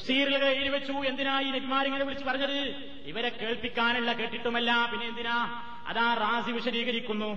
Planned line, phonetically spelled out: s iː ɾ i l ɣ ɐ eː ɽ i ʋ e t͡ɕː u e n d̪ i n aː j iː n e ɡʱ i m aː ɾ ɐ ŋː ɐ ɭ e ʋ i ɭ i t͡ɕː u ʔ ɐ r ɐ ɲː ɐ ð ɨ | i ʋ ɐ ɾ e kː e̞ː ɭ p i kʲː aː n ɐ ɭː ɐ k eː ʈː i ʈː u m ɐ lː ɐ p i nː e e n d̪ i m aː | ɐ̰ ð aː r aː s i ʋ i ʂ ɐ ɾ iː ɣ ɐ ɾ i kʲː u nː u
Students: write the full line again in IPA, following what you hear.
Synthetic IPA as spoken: s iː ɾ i l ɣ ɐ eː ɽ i ʋ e t͡ɕː u e n d̪ i n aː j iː n e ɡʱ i m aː ɾ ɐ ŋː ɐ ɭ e ʋ i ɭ i t͡ɕː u p ɐ r ɐ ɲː ɐ ð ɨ | i ʋ ɐ ɾ e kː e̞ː ɭ p i kʲː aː n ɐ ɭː ɐ k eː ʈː i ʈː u m ɐ lː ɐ p i nː e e n d̪ i n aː | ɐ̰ ð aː r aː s i ʋ i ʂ ɐ ɾ iː ɣ ɐ ɾ i kʲː u nː u